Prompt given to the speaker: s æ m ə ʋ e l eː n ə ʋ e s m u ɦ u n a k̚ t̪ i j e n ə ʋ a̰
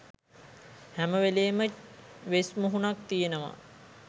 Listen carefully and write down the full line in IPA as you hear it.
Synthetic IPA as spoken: h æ m ə ʋ e l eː m ə ʋ e s m u ɦ u n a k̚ t̪ i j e n ə ʋ a̰